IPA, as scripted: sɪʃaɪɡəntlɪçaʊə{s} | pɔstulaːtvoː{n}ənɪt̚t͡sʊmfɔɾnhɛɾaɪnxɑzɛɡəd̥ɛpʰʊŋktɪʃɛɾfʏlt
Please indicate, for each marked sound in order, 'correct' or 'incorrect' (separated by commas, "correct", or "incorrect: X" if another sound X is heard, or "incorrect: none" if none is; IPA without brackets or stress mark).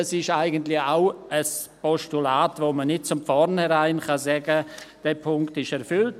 correct, incorrect: m